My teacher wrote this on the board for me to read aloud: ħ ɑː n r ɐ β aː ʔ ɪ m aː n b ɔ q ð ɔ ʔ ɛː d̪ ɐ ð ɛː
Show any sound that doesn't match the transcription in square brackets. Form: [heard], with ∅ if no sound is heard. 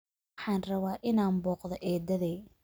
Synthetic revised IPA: ħ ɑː n r ɐ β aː ʔ ɪ [n] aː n b [ɔː] q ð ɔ ʔ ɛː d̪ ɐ ð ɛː